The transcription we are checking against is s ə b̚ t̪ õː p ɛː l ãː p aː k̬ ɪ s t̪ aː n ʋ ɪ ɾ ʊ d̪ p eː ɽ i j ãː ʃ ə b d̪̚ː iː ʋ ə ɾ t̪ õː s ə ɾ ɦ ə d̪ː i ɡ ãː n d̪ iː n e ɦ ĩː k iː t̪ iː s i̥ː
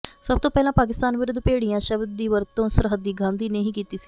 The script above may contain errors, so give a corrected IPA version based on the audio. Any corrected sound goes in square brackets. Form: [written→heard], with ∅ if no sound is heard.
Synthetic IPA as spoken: s ə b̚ t̪ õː p ɛː l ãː p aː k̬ ɪ s t̪ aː n ʋ ɪ ɾ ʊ d̪ p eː ɽ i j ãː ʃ ə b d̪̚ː iː ʋ ə ɾ t̪ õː s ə ɾ ɦ ə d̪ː [i→iː] ɡ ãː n d̪ iː n e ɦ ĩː k iː t̪ iː s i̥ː

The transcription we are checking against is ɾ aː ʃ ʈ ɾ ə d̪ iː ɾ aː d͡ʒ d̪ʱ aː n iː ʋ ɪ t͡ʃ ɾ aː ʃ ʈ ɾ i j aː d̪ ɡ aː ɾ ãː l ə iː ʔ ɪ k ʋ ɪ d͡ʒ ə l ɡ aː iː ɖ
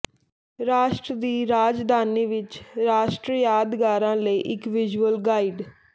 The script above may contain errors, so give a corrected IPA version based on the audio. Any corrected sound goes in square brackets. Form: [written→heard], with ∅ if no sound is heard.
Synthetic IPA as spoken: ɾ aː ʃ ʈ ɾ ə d̪ iː ɾ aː d͡ʒ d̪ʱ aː n iː ʋ ɪ t͡ʃ ɾ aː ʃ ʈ ɾ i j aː d̪ ɡ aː ɾ ãː l ə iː ʔ ɪ k ʋ ɪ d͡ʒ ə l ɡ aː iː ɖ

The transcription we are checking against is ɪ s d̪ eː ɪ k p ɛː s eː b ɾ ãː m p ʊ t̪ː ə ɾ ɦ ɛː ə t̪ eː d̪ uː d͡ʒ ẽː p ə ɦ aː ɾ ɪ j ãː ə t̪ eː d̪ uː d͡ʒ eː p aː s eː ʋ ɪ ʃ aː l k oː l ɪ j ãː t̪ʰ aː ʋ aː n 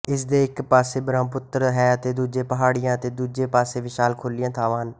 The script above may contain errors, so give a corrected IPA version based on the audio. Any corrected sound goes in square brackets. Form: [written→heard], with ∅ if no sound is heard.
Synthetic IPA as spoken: ɪ s d̪ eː ɪ k p [ɛː→aː] s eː b ɾ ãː m p ʊ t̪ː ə ɾ ɦ ɛː ə t̪ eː d̪ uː d͡ʒ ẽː p ə ɦ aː [ɾ→ɽ] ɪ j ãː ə t̪ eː d̪ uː d͡ʒ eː p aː s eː ʋ ɪ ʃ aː l [k→kʰ] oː l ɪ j ãː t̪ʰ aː ʋ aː n

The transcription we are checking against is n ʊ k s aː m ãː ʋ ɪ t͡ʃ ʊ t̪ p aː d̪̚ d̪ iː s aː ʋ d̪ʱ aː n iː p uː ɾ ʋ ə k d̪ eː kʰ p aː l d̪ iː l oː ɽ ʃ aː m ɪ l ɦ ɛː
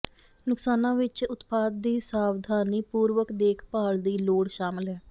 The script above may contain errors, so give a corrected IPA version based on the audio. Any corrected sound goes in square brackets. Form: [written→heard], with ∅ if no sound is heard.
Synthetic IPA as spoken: n ʊ k s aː [m→n] ãː ʋ ɪ t͡ʃ ʊ t̪ p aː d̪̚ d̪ iː s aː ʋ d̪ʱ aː n iː p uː ɾ ʋ ə k d̪ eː kʰ p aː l d̪ iː l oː ɽ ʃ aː m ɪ l ɦ ɛː

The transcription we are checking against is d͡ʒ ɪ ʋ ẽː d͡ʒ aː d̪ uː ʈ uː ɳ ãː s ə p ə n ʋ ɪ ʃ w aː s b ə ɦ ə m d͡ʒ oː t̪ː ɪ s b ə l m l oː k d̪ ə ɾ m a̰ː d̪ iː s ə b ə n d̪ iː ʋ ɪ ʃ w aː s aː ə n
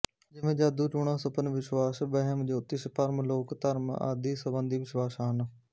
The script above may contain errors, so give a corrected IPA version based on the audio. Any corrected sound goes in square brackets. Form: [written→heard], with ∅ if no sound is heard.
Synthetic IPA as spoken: d͡ʒ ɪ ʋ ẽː d͡ʒ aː d̪ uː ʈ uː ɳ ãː s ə p ə n ʋ ɪ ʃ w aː s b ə ɦ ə m d͡ʒ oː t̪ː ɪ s [b→p] ə [l→ɾ] m l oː k [d̪→t̪] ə ɾ m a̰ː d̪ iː s ə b ə n d̪ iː ʋ ɪ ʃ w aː s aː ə n

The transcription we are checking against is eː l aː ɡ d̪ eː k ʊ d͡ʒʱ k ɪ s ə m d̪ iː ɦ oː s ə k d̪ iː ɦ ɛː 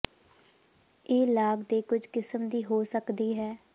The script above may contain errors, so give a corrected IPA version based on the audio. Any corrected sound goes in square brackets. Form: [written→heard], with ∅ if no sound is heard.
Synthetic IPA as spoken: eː l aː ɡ d̪ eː k ʊ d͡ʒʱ k ɪ s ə m d̪ iː ɦ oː s ə k d̪ iː ɦ ɛː

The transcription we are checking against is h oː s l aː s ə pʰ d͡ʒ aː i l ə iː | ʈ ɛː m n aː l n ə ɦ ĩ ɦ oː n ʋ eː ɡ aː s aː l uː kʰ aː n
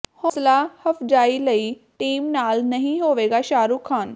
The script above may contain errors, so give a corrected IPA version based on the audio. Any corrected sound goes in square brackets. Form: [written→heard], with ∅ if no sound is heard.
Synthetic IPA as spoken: h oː s l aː [s→h] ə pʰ d͡ʒ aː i l ə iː | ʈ [ɛː→iː] m n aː l n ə ɦ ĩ ɦ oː [n→∅] ʋ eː ɡ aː [s→ʃ] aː [l→ɾ] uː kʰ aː n

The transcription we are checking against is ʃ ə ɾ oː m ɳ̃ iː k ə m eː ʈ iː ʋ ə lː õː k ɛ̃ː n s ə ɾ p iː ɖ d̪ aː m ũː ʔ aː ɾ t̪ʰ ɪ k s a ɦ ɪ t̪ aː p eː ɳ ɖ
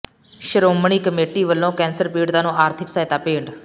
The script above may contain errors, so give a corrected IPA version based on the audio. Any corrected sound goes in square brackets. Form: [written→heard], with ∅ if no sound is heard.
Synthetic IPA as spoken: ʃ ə ɾ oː m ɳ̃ iː k ə m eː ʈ iː ʋ ə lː õː k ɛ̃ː n s ə ɾ p iː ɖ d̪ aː [m→n] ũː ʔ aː ɾ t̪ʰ ɪ k s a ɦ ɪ t̪ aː p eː ɳ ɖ

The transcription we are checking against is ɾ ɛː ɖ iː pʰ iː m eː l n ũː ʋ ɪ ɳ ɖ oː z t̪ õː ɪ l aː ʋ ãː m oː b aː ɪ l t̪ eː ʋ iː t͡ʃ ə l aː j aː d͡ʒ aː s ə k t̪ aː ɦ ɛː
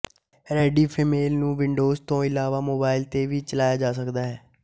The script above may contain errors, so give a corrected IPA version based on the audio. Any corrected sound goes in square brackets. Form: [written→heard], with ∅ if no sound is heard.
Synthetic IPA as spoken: ɾ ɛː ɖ iː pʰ iː m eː l n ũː ʋ ɪ ɳ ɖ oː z t̪ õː ɪ l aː ʋ [ãː→aː] m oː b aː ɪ l t̪ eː ʋ iː t͡ʃ ə l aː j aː d͡ʒ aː s ə k [t̪→d̪] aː ɦ ɛː

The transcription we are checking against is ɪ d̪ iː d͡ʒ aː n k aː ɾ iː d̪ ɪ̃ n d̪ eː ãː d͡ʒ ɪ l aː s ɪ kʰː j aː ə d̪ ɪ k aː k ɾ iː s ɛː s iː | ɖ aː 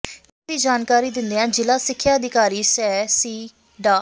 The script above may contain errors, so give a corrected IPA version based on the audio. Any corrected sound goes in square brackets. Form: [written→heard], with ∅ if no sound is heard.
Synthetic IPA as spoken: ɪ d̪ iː d͡ʒ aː n k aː ɾ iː d̪ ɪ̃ n d̪ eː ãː d͡ʒ ɪ l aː s ɪ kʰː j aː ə d̪ ɪ k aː [k→∅] ɾ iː s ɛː s iː | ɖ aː

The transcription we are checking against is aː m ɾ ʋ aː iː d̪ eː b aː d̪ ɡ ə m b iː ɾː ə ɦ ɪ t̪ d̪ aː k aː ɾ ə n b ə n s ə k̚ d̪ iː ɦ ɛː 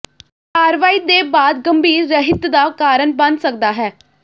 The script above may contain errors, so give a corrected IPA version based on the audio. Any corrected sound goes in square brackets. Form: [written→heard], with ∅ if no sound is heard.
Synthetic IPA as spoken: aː [m→∅] ɾ ʋ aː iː d̪ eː b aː d̪ ɡ ə m b iː ɾː ə ɦ ɪ t̪ d̪ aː k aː ɾ ə n b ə n s ə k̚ d̪ [iː→aː] ɦ ɛː

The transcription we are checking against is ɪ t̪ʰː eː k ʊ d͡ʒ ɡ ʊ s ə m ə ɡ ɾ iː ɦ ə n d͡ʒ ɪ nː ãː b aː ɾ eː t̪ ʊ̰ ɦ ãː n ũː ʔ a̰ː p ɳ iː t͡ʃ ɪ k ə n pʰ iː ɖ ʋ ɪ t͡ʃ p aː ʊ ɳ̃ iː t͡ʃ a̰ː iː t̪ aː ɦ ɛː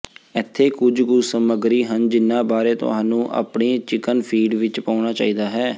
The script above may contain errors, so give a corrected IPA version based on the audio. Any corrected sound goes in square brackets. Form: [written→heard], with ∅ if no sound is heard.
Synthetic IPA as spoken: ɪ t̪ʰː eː k ʊ d͡ʒ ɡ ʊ s ə m ə ɡ ɾ iː ɦ ə n d͡ʒ ɪ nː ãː b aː ɾ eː t̪ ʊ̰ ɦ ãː n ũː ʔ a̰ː p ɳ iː t͡ʃ ɪ k ə n pʰ iː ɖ ʋ ɪ t͡ʃ p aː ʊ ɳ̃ [iː→aː] t͡ʃ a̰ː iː [t̪→d̪] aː ɦ ɛː

